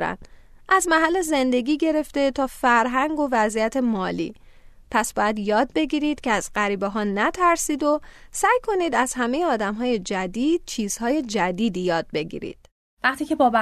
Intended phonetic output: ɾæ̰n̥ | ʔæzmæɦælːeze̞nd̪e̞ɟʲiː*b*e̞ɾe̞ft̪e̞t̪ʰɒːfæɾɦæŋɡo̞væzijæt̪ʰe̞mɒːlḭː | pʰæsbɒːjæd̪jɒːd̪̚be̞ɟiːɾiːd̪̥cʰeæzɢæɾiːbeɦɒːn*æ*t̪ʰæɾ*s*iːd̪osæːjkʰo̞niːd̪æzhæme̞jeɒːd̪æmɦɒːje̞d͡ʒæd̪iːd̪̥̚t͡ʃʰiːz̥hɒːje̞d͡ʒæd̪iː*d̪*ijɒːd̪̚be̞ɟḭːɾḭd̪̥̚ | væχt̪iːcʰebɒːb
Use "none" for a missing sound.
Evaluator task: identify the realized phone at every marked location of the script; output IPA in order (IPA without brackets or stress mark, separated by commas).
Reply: ɟ, æ, s, d̪